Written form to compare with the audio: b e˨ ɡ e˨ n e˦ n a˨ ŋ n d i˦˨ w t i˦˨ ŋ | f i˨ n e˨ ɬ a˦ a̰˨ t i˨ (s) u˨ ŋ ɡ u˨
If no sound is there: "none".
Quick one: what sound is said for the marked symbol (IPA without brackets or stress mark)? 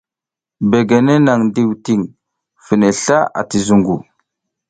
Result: z